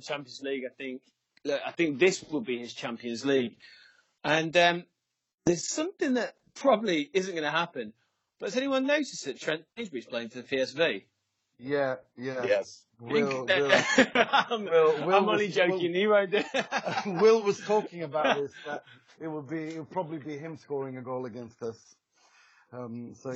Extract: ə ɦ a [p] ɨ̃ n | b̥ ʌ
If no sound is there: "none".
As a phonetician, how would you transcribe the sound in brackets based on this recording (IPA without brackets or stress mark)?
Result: p